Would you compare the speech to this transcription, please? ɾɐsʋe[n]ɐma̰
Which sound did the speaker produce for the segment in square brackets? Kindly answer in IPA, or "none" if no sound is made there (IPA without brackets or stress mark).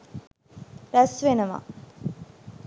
n